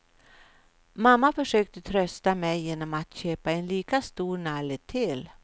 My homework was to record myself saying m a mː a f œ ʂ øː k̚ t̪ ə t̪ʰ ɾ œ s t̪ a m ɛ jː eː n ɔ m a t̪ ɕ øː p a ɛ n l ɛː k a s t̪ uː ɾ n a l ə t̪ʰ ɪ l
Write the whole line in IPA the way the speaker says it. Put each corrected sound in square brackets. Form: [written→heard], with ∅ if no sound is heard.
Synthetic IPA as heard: m a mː a f œ ʂ øː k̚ t̪ ə t̪ʰ ɾ œ s t̪ a m ɛ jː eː n ɔ m a t̪ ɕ øː p a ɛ n l [ɛː→iː] k a s t̪ uː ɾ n a l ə t̪ʰ ɪ l